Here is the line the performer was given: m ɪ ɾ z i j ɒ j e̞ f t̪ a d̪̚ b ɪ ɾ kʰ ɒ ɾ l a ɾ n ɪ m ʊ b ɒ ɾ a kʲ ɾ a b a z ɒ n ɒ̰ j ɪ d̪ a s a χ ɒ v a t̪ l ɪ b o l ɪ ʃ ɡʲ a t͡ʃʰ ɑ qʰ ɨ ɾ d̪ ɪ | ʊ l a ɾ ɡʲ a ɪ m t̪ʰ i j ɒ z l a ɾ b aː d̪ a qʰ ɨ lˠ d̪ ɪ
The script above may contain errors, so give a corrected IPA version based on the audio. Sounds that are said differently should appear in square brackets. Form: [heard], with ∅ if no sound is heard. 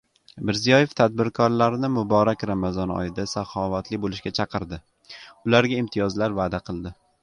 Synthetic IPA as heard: m ɪ ɾ z i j ɒ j e̞ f [t̪ʰ] a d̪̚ b ɪ ɾ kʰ ɒ ɾ l a ɾ n ɪ m ʊ b ɒ ɾ a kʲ ɾ a [m] a z ɒ n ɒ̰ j ɪ d̪ a s a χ ɒ v a t̪ l ɪ b o l ɪ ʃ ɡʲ a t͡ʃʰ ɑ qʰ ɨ ɾ d̪ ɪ | ʊ l a ɾ ɡʲ a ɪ m t̪ʰ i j ɒ z l a ɾ [v] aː d̪ a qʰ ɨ lˠ d̪ ɪ